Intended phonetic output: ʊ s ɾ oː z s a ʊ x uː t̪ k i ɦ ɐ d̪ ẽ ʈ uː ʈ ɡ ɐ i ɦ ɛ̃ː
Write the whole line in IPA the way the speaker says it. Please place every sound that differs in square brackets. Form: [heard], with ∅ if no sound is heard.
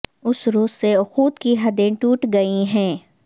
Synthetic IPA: ʊ s ɾ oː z s [e] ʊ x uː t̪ k i ɦ ɐ d̪ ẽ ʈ uː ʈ ɡ ɐ i ɦ ɛ̃ː